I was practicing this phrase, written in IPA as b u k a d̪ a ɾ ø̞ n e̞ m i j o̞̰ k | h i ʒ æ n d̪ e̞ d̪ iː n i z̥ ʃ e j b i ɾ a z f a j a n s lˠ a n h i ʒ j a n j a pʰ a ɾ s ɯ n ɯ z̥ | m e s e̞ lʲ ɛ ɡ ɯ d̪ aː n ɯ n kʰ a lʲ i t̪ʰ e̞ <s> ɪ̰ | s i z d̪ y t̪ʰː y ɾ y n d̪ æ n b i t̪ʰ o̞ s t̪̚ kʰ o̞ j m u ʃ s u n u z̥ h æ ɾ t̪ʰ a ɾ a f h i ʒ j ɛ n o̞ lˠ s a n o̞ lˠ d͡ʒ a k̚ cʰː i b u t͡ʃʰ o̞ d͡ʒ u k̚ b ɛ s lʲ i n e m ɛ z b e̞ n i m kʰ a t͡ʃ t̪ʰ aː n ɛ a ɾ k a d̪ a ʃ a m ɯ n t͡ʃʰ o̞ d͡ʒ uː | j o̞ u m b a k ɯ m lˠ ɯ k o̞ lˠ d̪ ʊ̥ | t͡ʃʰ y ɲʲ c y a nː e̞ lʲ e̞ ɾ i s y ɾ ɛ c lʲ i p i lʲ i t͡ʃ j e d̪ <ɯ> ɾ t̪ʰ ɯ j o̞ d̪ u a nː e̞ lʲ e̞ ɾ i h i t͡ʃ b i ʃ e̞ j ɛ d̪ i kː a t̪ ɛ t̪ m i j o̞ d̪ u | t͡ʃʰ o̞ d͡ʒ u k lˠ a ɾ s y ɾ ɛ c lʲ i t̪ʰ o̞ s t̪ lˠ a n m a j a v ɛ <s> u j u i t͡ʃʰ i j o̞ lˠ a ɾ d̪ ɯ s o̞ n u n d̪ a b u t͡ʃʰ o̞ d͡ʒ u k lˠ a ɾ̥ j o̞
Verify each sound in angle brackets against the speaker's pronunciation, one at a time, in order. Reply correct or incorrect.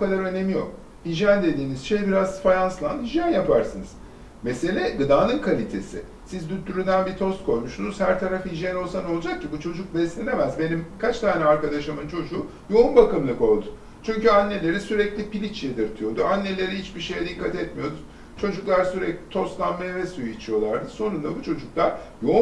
correct, correct, correct

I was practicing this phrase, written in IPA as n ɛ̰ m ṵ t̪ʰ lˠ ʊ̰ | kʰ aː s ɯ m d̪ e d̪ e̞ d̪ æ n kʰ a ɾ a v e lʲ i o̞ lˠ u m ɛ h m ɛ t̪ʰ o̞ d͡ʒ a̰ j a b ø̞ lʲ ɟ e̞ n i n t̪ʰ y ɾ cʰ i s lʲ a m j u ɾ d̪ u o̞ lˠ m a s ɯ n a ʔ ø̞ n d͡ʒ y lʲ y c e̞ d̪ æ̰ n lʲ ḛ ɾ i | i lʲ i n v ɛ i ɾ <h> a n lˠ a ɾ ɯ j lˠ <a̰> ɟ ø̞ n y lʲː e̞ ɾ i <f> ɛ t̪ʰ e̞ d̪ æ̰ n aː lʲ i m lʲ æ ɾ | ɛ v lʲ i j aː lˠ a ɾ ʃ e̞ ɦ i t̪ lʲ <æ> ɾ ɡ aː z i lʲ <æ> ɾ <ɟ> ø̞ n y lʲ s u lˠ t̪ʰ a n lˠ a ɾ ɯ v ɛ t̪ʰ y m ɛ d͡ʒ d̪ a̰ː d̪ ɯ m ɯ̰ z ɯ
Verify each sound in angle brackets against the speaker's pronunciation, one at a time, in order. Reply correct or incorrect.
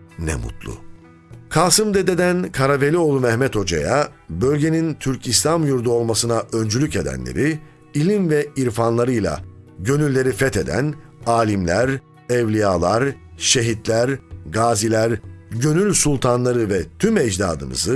incorrect, correct, correct, correct, correct, correct

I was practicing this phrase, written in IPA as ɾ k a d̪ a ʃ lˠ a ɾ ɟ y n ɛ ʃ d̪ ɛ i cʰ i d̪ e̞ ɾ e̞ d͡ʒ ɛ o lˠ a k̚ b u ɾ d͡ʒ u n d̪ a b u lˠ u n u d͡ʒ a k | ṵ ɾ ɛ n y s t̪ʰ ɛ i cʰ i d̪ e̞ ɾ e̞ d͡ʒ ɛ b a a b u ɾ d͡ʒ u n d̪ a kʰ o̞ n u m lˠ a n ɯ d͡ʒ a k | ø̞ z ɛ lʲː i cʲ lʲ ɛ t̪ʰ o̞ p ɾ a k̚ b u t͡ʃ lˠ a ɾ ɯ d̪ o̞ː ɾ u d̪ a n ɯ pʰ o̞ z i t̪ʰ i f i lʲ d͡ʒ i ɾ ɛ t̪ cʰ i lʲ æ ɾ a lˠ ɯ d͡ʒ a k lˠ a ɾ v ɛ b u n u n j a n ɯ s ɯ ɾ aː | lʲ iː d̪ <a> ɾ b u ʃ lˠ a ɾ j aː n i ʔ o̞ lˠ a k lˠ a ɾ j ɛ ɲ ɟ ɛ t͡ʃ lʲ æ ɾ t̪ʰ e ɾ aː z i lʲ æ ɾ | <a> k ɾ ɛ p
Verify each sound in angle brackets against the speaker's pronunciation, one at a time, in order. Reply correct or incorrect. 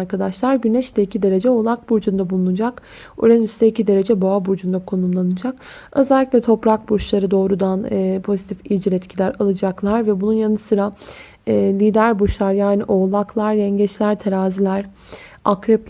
incorrect, correct

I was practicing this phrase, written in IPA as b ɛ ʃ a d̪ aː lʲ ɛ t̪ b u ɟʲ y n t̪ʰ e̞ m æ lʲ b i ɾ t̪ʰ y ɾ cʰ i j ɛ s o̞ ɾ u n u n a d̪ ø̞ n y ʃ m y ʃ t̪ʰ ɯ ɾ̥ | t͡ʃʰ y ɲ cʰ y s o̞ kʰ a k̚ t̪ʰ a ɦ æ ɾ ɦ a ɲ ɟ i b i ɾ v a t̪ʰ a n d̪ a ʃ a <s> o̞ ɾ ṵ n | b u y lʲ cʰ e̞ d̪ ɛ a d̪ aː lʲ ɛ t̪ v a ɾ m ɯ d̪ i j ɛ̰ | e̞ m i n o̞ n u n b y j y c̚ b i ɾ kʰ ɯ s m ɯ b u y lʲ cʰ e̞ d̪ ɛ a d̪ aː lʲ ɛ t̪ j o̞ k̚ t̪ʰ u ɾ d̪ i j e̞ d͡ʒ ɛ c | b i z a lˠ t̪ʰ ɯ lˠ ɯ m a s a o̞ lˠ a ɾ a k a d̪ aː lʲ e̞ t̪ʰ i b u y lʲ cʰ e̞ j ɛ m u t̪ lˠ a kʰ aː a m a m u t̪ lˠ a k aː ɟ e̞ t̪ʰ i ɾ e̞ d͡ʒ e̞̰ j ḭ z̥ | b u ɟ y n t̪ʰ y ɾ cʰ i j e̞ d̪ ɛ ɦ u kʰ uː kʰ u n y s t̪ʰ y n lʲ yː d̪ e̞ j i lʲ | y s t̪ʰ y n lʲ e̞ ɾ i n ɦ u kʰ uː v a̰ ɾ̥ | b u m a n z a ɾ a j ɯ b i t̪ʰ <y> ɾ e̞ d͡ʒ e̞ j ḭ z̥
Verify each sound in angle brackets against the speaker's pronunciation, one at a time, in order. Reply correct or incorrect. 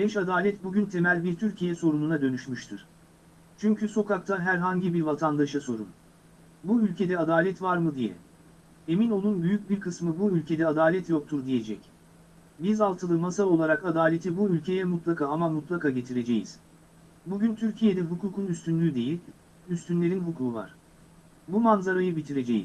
correct, incorrect

